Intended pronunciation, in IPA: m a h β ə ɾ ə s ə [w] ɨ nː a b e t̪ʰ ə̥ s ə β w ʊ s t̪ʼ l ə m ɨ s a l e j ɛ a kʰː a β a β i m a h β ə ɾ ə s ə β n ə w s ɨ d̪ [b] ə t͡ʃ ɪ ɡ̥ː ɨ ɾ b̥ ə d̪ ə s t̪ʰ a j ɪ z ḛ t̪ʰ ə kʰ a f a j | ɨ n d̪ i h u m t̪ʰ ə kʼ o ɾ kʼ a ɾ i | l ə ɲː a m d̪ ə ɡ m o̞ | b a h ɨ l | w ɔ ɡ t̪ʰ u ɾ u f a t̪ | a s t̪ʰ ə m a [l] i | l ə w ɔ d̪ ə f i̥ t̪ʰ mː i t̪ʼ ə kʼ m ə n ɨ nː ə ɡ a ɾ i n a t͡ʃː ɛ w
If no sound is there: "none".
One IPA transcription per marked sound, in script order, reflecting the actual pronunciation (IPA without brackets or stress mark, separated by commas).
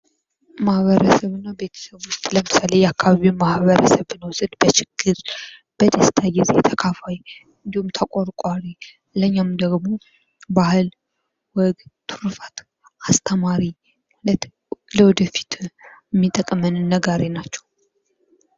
β, b, ɾ